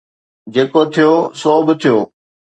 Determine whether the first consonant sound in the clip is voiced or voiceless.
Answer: voiced